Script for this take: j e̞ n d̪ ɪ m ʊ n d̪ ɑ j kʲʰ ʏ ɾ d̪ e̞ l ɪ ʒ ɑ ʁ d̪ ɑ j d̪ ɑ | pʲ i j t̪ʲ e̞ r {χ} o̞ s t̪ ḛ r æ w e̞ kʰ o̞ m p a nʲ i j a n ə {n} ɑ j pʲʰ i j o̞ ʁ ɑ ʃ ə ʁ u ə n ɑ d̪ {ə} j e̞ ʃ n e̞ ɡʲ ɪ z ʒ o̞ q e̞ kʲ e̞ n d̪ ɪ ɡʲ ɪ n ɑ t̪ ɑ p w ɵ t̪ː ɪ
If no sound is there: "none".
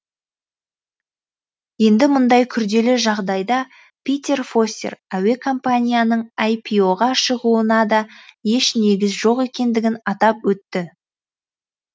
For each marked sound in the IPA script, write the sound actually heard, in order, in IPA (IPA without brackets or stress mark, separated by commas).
f, ɴ, ɑ